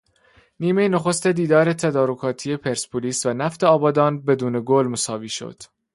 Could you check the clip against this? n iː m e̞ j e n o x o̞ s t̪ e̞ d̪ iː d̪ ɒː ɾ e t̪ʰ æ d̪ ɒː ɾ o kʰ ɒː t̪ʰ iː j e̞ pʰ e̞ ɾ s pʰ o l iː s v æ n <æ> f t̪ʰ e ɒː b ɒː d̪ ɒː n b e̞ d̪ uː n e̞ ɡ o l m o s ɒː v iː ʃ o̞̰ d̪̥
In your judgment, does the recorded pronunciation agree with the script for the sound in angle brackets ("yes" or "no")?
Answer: yes